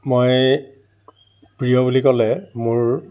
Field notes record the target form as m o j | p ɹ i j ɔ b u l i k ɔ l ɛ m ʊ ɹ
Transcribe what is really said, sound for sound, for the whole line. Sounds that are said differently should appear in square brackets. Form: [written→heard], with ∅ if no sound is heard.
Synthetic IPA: m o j | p ɹ i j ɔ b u l i k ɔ l ɛ m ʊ ɹ

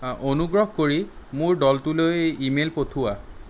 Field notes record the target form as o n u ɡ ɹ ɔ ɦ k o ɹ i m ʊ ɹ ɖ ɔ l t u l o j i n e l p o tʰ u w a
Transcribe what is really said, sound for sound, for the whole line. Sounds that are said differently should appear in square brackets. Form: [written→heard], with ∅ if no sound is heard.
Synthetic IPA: o n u ɡ ɹ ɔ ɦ k o ɹ i m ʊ ɹ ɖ ɔ l t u l o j i [n→m] e l p o tʰ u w a

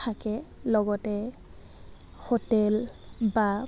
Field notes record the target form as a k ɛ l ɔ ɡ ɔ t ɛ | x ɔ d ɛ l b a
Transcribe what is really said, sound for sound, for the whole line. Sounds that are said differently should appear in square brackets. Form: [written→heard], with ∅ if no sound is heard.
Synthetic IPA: a k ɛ l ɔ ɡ ɔ t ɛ | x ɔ [d→t] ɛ l b a

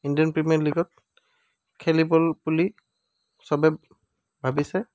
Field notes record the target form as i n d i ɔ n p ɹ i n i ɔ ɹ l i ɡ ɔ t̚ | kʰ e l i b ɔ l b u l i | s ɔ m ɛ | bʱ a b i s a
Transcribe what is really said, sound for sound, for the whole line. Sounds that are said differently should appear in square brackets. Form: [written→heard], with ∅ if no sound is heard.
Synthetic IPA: i n d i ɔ n p ɹ i [n→m] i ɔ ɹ l i ɡ ɔ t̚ | kʰ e l i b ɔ l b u l i | s ɔ [m→b] ɛ | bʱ a b i s [a→ɛ]

